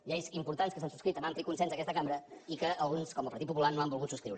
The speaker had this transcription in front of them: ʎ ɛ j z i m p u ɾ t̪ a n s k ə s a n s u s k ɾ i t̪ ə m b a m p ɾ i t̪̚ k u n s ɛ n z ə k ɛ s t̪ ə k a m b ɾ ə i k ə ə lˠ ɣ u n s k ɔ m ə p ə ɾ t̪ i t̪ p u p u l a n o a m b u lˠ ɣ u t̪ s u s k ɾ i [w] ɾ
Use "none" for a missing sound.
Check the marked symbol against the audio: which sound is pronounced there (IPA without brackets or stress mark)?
w